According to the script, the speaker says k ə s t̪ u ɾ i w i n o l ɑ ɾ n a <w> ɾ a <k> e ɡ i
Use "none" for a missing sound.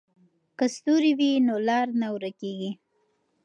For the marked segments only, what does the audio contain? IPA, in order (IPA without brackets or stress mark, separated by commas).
w, k